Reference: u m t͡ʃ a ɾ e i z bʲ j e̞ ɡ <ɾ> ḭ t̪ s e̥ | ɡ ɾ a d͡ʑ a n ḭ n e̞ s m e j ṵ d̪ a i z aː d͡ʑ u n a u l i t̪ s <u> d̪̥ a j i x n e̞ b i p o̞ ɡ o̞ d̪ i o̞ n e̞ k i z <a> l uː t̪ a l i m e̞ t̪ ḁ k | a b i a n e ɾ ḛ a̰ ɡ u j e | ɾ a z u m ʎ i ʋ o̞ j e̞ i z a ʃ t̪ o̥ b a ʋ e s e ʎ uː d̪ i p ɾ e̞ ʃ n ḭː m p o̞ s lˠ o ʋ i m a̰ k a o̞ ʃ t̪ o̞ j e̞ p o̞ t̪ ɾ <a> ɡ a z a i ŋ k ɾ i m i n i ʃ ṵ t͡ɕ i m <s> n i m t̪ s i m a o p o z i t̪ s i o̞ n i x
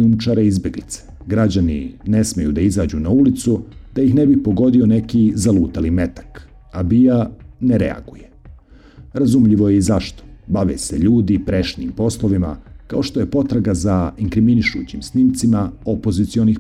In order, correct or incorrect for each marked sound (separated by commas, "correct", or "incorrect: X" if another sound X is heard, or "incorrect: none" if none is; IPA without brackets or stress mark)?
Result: incorrect: l, correct, correct, correct, correct